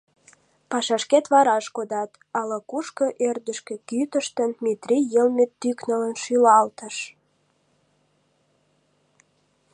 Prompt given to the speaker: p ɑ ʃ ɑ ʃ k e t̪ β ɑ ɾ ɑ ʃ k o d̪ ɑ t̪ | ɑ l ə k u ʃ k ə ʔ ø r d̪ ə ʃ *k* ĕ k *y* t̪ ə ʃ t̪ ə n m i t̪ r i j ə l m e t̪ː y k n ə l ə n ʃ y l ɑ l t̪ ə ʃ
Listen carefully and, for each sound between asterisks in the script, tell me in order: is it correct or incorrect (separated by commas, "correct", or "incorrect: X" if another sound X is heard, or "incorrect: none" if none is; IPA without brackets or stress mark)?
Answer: correct, correct